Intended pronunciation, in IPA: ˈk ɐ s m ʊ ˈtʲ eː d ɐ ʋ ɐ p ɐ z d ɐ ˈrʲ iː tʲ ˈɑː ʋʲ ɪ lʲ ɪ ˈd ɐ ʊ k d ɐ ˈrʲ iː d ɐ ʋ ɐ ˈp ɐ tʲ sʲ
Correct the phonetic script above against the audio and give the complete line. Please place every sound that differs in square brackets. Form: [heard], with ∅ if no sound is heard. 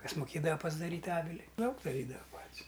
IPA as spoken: ˈk ɐ s m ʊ [ˈkʲ] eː d ɐ ʋ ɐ p ɐ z d ɐ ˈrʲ iː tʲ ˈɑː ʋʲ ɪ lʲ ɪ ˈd ɐ ʊ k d ɐ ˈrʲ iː d ɐ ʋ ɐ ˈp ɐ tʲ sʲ